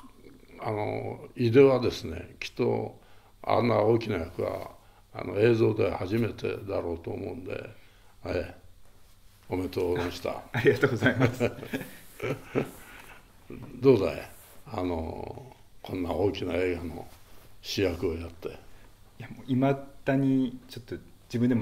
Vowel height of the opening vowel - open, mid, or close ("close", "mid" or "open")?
open